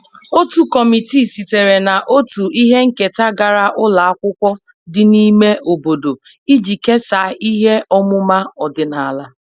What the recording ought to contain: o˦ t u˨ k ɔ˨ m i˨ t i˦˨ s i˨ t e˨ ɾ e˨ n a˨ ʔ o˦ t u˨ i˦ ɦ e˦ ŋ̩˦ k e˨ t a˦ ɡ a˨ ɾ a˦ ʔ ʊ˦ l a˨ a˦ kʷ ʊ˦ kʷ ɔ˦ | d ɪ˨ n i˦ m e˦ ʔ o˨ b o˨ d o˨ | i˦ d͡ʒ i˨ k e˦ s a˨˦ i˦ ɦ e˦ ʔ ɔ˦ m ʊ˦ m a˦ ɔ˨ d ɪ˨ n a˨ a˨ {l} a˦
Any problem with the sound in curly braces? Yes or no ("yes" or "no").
no